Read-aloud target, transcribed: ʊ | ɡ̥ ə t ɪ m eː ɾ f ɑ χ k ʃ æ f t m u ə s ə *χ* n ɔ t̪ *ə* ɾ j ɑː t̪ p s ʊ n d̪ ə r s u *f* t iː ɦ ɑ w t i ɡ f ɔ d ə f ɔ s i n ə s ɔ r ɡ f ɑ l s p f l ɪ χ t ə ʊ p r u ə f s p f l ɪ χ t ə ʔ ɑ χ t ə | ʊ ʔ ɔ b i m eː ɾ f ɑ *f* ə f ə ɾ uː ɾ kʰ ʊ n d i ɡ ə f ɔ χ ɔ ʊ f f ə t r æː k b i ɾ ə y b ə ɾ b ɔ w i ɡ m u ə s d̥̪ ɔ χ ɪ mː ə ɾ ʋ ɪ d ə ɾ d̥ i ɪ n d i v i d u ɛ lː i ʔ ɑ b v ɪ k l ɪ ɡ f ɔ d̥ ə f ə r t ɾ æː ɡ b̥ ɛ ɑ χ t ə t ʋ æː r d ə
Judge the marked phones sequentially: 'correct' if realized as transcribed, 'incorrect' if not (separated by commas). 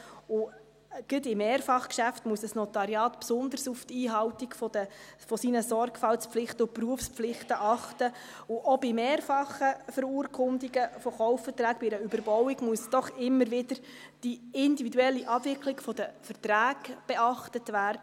incorrect, incorrect, correct, incorrect